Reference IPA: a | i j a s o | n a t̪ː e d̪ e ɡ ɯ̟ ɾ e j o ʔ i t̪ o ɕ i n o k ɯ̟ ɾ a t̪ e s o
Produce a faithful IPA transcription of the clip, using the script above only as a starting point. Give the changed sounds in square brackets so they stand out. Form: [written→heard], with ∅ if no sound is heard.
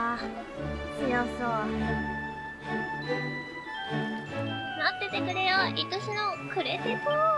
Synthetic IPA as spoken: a | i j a s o | n a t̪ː e [d̪→t̪] e [ɡ→k] ɯ̟ ɾ e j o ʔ i t̪ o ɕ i n o k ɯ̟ ɾ [a→e] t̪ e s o